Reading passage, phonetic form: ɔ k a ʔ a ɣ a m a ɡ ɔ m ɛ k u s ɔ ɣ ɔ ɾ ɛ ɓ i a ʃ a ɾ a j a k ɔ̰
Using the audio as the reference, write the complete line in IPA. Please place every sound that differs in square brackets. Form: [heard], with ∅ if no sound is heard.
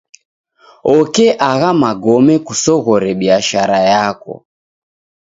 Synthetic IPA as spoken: ɔ k [ɛ] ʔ a ɣ a m a ɡ ɔ m ɛ k u s ɔ ɣ ɔ ɾ ɛ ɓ i a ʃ a ɾ a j a k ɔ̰